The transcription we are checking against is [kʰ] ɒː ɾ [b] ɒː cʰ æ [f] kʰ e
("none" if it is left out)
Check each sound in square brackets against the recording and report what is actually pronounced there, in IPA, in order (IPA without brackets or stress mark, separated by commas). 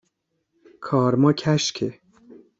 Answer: kʰ, m, ʃ